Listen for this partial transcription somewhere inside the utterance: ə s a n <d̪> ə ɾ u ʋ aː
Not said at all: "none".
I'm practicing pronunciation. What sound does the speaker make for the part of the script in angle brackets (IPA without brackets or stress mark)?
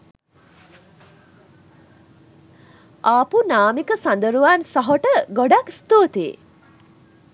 d̪